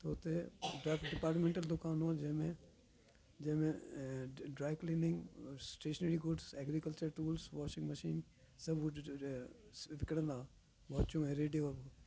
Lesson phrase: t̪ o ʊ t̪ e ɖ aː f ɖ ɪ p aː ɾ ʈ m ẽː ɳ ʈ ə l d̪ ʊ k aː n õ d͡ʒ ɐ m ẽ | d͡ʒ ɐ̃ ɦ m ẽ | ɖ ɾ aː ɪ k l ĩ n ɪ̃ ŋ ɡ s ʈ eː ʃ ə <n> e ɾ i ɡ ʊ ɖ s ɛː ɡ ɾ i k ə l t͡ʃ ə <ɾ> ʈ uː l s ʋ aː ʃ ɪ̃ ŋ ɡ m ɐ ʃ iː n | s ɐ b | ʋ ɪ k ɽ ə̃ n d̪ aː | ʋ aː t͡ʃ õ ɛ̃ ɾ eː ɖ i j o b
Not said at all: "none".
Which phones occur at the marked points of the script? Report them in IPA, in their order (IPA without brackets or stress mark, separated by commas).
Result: n, ɾ